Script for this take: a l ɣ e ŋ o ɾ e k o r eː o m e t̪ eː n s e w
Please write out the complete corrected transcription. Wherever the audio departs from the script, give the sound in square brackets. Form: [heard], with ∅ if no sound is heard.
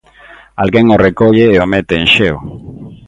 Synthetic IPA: a l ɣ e ŋ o [r] e k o [ʎ] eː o m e t̪ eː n [ʃ] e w